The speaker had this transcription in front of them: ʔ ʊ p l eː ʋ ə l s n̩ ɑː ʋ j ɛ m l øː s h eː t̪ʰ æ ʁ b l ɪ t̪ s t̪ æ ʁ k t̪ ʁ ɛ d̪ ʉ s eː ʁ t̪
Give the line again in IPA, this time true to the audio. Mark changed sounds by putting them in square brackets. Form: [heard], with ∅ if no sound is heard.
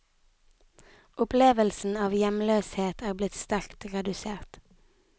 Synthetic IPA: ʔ ʊ p l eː ʋ ə l s n̩ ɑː ʋ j ɛ m l øː s h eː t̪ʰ [æː] ʁ b l ɪ t̪ s t̪ æ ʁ k t̪ ʁ ɛ d̪ ʉ s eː ʁ t̪